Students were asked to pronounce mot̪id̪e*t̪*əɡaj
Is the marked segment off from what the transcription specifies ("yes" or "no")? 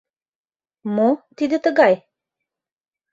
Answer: no